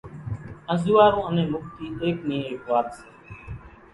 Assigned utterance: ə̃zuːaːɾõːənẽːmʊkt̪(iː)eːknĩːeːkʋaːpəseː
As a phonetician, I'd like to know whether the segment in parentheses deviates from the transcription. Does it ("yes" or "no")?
no